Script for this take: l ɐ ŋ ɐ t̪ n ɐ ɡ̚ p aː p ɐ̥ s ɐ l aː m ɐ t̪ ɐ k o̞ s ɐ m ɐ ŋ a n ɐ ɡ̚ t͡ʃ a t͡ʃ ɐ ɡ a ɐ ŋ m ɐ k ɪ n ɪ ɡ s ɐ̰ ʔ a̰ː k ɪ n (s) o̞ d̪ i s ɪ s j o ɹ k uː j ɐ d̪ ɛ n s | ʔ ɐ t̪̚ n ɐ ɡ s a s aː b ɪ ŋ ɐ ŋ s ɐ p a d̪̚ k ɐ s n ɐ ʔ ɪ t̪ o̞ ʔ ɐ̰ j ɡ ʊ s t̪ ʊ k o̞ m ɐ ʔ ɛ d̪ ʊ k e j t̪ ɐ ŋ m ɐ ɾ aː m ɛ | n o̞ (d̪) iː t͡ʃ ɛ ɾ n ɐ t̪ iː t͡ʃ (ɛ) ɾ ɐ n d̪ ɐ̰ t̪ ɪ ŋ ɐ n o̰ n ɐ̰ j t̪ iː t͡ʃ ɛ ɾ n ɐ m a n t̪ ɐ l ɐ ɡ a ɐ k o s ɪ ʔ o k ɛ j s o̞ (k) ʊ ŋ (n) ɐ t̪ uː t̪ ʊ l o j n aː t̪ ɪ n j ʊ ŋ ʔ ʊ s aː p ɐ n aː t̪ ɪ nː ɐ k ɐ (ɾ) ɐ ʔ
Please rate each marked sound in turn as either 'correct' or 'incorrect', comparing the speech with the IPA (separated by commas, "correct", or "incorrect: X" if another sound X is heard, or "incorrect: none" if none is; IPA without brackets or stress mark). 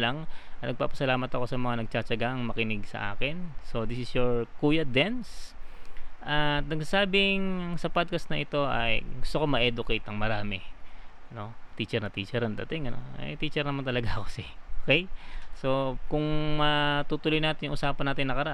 correct, incorrect: t̪, correct, correct, incorrect: m, correct